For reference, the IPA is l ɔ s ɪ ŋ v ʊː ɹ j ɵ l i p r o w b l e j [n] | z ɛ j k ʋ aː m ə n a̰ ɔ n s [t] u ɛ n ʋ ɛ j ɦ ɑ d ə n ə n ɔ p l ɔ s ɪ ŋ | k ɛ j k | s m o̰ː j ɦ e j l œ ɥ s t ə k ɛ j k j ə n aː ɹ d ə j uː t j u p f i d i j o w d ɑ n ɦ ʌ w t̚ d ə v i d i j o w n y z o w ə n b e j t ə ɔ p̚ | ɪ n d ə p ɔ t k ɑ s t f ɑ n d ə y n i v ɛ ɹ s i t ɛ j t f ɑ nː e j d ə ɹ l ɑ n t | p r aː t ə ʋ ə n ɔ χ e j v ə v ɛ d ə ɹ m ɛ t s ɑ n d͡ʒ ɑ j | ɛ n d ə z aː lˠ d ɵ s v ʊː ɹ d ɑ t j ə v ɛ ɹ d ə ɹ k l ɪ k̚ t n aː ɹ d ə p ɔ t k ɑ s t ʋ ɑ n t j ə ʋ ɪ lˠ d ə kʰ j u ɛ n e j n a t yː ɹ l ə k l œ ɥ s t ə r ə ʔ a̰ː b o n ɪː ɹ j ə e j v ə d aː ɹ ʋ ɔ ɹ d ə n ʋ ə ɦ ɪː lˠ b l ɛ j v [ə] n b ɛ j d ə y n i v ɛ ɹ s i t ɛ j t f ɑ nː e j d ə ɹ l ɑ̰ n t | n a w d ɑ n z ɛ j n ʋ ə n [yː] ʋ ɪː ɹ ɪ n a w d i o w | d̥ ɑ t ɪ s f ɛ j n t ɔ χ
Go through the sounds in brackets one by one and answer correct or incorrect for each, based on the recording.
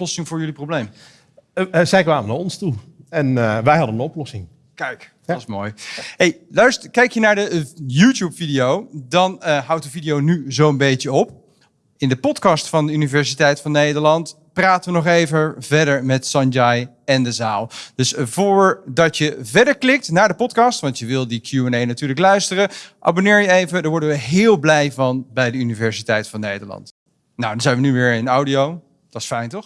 incorrect: m, correct, incorrect: ɑ, incorrect: y

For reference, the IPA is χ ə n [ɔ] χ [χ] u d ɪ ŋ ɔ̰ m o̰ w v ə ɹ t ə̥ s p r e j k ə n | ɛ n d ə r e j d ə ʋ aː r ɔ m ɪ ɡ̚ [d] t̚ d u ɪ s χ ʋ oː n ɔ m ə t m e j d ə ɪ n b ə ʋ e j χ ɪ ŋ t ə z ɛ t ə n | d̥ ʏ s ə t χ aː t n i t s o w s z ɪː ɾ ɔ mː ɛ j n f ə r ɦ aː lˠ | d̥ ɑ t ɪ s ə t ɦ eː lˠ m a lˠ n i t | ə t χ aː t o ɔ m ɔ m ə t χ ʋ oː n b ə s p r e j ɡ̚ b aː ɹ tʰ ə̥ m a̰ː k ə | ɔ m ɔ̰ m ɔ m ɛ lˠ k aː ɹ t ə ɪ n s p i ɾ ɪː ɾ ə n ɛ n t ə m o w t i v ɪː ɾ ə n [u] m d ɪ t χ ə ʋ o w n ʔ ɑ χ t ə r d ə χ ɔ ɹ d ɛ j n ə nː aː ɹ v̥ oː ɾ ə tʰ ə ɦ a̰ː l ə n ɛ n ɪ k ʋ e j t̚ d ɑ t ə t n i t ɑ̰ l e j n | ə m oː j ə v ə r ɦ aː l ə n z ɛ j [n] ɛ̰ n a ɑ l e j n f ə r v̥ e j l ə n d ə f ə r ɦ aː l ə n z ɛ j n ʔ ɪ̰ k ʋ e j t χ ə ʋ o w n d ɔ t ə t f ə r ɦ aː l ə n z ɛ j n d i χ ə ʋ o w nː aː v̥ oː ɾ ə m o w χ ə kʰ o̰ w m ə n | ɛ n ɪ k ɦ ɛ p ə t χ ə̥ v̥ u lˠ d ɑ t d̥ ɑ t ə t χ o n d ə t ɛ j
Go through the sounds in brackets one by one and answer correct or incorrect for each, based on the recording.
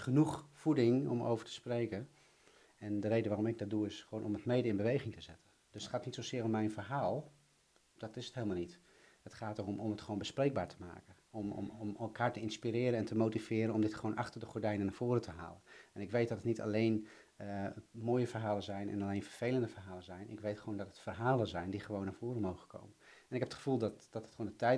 incorrect: u, incorrect: f, correct, incorrect: ɔ, correct

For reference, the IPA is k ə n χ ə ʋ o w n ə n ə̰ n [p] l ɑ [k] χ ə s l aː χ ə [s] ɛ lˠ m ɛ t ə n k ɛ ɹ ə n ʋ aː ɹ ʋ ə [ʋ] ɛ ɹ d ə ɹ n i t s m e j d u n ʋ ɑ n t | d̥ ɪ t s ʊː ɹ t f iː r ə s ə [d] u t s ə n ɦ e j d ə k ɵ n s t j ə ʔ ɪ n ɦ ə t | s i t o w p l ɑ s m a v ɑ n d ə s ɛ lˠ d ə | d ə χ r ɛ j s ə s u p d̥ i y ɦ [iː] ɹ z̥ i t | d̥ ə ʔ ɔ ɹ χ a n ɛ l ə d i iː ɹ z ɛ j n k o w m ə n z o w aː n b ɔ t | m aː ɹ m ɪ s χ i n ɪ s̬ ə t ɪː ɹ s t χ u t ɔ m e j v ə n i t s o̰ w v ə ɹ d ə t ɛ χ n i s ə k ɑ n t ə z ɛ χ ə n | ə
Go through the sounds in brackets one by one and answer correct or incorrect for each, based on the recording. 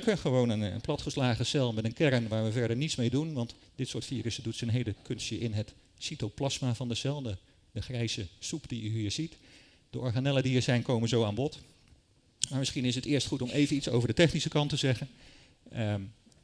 correct, incorrect: t, correct, incorrect: v, correct, correct

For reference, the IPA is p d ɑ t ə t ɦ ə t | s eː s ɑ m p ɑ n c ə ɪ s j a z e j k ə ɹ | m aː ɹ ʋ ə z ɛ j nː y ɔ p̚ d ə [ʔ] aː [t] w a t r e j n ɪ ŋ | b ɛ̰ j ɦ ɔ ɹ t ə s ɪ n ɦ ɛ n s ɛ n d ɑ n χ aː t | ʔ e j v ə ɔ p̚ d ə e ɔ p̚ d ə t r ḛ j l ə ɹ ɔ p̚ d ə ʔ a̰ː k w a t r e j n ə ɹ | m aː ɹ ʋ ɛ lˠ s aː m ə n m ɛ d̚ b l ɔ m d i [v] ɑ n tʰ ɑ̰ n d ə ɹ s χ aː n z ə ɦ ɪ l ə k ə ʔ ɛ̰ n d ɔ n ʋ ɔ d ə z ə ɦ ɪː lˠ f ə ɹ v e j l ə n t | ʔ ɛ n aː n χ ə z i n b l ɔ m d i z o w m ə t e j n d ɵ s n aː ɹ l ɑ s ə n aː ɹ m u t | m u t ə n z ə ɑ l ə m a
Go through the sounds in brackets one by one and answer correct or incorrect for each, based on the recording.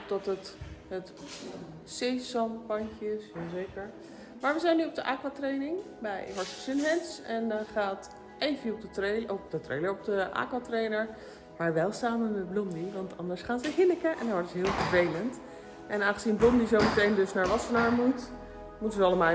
correct, incorrect: k, incorrect: ʋ

